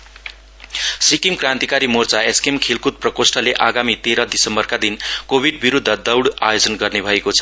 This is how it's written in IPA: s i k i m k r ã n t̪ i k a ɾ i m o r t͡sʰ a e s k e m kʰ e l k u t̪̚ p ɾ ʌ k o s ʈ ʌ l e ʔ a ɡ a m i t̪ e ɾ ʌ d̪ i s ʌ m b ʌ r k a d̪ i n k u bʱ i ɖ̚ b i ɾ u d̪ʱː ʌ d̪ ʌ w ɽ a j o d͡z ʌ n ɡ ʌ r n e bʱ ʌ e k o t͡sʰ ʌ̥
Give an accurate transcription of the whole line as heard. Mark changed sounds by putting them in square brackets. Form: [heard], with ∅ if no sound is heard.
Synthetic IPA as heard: s i k i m k r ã n t̪ i k a ɾ i m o r [t͡s] a e s k e m kʰ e l k u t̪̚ p [r] ʌ k o s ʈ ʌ l e ʔ a ɡ a m i t̪ e ɾ ʌ d̪ i s ʌ m b ʌ r k a d̪ i n k [o] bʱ i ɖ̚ b i ɾ u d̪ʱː ʌ d̪ ʌ w ɽ a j o d͡z ʌ n ɡ ʌ r n e bʱ ʌ e k o t͡sʰ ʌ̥

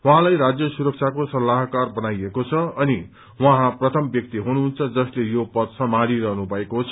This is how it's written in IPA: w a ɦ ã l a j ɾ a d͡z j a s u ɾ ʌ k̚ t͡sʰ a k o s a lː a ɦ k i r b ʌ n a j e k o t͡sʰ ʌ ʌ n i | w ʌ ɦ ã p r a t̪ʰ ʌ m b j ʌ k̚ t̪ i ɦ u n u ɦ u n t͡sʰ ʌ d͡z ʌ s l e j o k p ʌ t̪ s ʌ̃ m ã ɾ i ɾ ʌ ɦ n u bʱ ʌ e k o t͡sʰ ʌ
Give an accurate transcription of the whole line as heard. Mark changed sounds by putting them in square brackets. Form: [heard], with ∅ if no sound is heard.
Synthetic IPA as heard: w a ɦ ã l a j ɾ a d͡z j [ʌ] s u ɾ ʌ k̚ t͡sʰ a k o s [ʌ] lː a ɦ k [a] r b ʌ n a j e k o t͡sʰ ʌ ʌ n i | w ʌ ɦ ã p r [ʌ] t̪ʰ ʌ m b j ʌ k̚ t̪ i ɦ u n u ɦ u n t͡sʰ ʌ d͡z ʌ s l e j o [∅] p ʌ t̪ s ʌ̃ m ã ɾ i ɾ ʌ ɦ n u bʱ ʌ e k o t͡sʰ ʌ

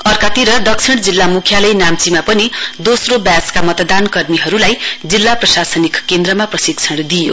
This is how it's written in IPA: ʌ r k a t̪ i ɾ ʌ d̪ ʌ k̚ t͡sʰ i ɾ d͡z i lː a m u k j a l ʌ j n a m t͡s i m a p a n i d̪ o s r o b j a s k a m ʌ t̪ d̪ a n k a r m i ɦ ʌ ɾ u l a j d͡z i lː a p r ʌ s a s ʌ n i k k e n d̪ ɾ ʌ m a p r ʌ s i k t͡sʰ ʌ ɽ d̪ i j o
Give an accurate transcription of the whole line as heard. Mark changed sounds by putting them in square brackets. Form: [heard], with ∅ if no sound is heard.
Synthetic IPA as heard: ʌ r k a t̪ i ɾ ʌ d̪ ʌ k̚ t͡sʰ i [ɽ] d͡z i lː a m u [kʰ] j a l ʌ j n a m t͡s i m a p [ʌ] n i d̪ o s r o b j a s k a m ʌ t̪ d̪ a n k [ʌ] r m i ɦ ʌ ɾ u l a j d͡z i lː a p r ʌ s a s ʌ n i k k e n d̪ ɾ ʌ m a p r ʌ s i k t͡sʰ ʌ ɽ d̪ i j o

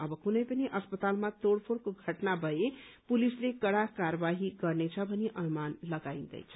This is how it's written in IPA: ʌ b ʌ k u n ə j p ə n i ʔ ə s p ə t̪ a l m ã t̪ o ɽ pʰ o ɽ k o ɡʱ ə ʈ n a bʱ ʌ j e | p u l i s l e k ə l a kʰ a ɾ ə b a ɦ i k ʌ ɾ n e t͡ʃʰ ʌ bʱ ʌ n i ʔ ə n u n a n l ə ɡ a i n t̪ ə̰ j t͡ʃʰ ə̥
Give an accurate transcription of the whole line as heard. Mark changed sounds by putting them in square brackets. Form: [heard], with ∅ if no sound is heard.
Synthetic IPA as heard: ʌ b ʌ k u n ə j p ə n i ʔ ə s p ə t̪ a l m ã t̪ o ɽ pʰ o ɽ k o ɡʱ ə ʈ n a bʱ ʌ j e | p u l i s l e k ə [ɽ] a [k] a ɾ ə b a ɦ i [ɡ] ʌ ɾ n e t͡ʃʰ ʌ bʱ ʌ n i ʔ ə n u [m] a n l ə ɡ a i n [d̪] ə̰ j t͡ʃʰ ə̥

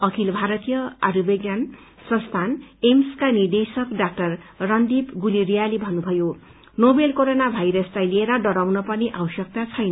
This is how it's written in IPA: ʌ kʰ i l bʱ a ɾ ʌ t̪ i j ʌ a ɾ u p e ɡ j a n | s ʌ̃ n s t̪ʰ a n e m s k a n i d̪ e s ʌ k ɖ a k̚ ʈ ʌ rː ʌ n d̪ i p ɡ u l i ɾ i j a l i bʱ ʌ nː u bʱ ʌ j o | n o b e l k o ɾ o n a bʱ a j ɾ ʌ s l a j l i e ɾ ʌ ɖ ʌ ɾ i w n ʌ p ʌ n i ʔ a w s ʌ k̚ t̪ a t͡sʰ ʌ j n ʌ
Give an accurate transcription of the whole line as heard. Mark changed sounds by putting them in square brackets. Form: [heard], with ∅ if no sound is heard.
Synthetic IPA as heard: ʌ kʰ i l bʱ a ɾ ʌ t̪ i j ʌ a ɾ u [b] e ɡ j a n | s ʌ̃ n s t̪ʰ a n e m s k a n i d̪ e s ʌ k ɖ a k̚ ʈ ʌ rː ʌ n d̪ i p ɡ u l i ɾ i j a l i bʱ ʌ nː u bʱ ʌ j o | n o b e l k o ɾ o n a bʱ a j ɾ ʌ s l a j l i e ɾ ʌ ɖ ʌ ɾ [a] w n ʌ p ʌ n i ʔ a w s ʌ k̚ t̪ a t͡sʰ ʌ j n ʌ

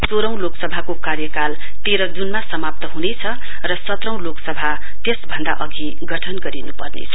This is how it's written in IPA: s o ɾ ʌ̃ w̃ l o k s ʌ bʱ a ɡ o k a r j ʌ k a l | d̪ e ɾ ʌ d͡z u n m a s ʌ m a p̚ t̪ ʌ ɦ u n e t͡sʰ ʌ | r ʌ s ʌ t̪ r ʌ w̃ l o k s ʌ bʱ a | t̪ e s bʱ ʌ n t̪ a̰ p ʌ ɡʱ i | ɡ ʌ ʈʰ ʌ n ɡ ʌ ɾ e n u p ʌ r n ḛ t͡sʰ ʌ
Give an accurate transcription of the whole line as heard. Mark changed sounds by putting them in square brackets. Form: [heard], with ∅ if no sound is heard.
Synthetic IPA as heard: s o ɾ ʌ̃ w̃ l o k s ʌ bʱ a [k] o k a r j ʌ k a l | [t̪] e ɾ ʌ d͡z u n m a s ʌ m a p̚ t̪ ʌ ɦ u n e t͡sʰ ʌ | r ʌ s ʌ t̪ r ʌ w̃ l o k s ʌ bʱ a | t̪ e s bʱ ʌ n [d̪] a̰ [ʔ] ʌ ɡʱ i | ɡ ʌ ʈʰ ʌ n ɡ ʌ ɾ [i] n u p ʌ r n ḛ t͡sʰ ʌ

